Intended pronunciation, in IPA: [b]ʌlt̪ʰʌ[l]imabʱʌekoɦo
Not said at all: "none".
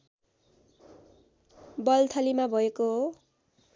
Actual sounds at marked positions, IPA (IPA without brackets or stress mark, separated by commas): b, l